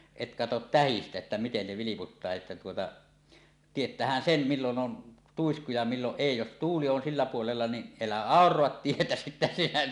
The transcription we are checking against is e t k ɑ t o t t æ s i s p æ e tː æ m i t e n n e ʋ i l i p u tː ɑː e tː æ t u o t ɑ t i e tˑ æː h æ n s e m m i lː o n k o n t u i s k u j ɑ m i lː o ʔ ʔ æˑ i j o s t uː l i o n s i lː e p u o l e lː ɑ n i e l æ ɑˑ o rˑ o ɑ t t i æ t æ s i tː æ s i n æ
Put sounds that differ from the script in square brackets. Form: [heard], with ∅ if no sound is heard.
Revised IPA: e t k ɑ t o t t æ [h] i s [t] æ e tː æ m i t e n n e ʋ i l i p u tː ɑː e tː æ t u o t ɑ t i e tˑ æː h æ n s e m m i lː o n [ʔ] o n t u i s k u j ɑ m i lː o ʔ ʔ [eˑ] i j o s t uː l i o n s i lː [æ] p u o l e lː ɑ n i e l æ ɑˑ o rˑ o ɑ t t i [e] t æ s i tː æ s i n æ